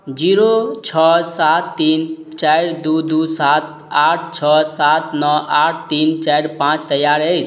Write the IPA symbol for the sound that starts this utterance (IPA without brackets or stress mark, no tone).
d͡ʒ